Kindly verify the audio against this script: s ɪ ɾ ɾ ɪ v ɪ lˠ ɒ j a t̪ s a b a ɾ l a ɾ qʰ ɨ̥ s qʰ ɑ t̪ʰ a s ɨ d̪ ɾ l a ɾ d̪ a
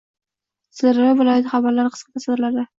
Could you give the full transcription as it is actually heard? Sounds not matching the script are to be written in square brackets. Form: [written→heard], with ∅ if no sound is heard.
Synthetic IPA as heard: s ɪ ɾ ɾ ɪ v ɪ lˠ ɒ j a t̪ [s→χ] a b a ɾ l a ɾ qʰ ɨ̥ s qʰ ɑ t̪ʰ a s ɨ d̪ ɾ l a ɾ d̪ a